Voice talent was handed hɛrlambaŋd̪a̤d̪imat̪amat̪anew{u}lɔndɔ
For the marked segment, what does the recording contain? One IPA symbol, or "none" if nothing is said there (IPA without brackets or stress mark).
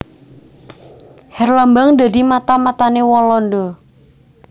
ɔ